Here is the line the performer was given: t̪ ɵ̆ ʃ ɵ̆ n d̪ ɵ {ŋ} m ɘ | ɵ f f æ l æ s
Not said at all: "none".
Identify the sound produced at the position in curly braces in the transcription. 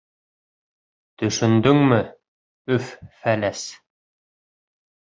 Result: ŋ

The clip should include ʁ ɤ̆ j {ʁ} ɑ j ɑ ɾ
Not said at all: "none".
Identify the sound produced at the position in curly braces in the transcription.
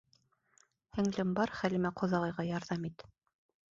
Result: ʁ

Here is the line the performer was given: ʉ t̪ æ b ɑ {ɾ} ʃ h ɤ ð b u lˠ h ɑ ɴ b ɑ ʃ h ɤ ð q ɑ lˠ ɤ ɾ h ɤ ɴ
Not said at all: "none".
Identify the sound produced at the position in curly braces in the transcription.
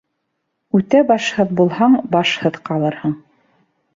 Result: none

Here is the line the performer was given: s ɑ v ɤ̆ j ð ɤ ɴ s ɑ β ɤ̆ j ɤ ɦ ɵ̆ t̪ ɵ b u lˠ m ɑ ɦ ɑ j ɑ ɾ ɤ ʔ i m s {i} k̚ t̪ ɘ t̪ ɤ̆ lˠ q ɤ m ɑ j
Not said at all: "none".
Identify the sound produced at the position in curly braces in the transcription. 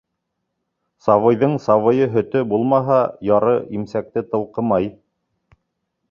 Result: æ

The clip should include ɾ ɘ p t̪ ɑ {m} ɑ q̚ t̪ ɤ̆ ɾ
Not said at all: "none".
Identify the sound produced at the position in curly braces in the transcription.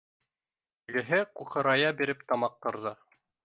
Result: m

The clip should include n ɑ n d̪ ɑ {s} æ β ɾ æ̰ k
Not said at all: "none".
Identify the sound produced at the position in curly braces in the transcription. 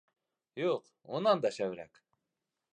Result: ʃ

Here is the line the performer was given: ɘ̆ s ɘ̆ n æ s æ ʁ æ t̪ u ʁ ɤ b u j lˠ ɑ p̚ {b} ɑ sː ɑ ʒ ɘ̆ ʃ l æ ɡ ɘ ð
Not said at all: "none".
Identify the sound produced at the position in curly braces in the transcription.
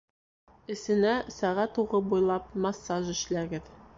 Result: m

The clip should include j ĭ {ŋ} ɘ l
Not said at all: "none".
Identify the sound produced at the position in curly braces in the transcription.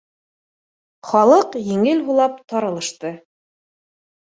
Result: ŋ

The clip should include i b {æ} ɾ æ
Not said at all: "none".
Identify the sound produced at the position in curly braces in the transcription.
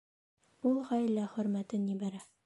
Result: æ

